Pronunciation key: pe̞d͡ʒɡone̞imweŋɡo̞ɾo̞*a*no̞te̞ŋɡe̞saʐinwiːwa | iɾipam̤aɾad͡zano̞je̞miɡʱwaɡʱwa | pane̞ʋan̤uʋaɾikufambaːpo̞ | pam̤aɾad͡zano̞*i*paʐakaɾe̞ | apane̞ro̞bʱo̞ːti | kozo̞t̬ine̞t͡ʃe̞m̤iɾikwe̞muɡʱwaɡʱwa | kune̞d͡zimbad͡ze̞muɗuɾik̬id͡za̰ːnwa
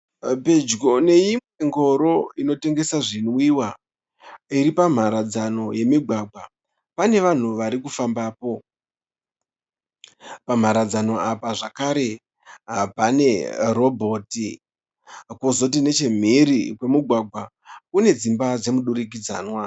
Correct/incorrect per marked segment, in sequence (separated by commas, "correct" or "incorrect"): incorrect, incorrect